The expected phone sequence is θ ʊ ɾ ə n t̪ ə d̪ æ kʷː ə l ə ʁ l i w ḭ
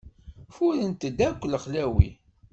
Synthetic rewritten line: f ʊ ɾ ə n t̪ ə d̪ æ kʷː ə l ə χ l æ w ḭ

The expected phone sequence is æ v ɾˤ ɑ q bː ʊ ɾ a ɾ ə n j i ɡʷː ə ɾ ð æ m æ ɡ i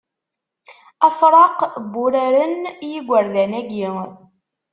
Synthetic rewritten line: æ f ɾˤ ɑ q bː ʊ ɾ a ɾ ə n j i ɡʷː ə ɾ ð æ n æ ɡ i

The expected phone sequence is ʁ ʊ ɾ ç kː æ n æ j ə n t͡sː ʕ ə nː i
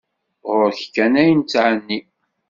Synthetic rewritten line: ʁ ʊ ɾ ç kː æ n æ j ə n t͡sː ʕ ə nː i

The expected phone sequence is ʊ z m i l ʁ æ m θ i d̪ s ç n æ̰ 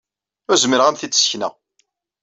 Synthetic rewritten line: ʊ z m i ɾ ʁ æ m θ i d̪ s ç n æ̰

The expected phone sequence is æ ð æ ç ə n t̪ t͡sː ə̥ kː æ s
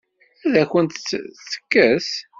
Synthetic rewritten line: æ ð æ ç ə n t̪ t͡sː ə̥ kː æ s

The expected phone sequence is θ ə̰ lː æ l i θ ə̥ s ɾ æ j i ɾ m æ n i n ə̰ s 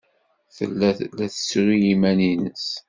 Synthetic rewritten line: θ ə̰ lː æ l æ θ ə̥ s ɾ i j i m æ n i n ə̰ s

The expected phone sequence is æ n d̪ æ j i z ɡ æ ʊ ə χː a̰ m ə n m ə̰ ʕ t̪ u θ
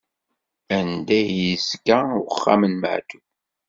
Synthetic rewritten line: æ n d̪ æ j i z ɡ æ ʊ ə χː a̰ m ə n m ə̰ ʕ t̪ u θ

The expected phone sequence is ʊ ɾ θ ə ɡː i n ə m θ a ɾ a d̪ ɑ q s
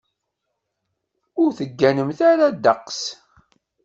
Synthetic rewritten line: ʊ ɾ θ ə ɡː æ n ə m θ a ɾ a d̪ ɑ q s

